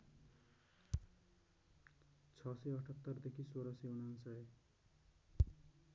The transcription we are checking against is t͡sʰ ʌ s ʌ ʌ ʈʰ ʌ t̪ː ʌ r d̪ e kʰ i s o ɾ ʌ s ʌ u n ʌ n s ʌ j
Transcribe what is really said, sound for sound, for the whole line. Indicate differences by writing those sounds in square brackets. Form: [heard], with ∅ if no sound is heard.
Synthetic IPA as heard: t͡sʰ ʌ s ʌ ʌ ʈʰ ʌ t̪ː ʌ r d̪ e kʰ i s o ɾ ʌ s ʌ u n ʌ n s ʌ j

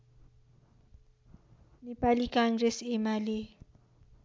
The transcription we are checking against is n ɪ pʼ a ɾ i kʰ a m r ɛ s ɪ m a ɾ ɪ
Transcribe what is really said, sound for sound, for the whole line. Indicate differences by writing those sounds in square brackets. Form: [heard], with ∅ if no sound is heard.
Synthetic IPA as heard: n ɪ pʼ a [l] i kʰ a [ŋ] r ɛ s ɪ m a [l] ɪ

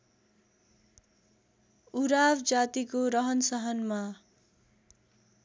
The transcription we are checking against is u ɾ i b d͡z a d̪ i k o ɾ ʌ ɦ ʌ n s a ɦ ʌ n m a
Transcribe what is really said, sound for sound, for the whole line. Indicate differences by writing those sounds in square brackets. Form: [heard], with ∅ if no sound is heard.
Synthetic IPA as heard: u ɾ [a] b d͡z a [t̪] i k o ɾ ʌ ɦ ʌ n s [ʌ] ɦ ʌ n m a

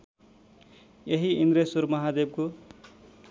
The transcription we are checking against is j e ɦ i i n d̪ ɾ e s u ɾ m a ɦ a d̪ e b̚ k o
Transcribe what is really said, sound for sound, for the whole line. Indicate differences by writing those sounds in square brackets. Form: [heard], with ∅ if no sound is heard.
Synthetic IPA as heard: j e ɦ i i n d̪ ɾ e s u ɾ m [ʌ] ɦ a d̪ e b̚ k o

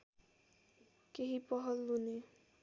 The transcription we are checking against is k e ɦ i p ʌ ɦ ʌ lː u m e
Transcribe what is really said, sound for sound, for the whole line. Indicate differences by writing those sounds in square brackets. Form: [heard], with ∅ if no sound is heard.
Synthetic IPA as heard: k e ɦ i p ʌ ɦ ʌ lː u [n] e

